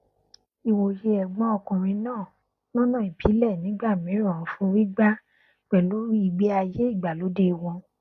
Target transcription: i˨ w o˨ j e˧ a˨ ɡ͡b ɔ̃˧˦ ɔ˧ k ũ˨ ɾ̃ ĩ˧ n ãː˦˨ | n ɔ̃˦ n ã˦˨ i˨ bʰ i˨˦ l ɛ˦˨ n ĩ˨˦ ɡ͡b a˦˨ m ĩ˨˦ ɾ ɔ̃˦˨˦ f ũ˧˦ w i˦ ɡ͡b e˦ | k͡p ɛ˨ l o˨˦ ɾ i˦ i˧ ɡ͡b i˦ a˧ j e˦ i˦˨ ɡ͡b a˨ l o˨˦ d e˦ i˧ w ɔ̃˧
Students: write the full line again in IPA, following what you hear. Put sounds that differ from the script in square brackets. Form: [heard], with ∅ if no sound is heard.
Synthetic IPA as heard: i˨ w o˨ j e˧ [ɛ˨] ɡ͡b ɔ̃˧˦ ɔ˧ k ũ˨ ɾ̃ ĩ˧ n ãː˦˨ | n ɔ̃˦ n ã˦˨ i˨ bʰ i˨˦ l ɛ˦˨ n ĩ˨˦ ɡ͡b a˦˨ m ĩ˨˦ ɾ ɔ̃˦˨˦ f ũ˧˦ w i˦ ɡ͡b [a˦] | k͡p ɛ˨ l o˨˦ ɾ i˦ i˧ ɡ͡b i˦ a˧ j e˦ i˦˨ ɡ͡b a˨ l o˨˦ d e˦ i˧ w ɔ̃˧